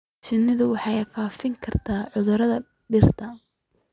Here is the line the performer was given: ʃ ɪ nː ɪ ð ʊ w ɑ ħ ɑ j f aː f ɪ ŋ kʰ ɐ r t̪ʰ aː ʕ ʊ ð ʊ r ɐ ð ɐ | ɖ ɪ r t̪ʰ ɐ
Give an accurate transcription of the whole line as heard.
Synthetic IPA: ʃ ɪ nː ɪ ð ʊ w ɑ ħ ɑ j f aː f ɪ ŋ kʰ ɐ r t̪ʰ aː ʕ ʊ ð ʊ ɾ ɐ ð ɐ | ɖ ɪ r t̪ʰ ɐ